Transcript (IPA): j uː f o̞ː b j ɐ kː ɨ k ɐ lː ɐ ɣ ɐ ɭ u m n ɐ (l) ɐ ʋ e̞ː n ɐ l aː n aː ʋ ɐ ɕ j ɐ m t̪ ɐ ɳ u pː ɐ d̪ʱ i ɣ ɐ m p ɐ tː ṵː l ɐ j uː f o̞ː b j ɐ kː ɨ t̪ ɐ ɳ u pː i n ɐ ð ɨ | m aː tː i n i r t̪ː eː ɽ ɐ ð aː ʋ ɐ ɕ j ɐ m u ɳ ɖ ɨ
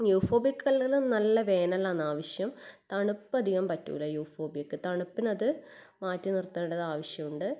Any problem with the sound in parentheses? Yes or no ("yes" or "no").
yes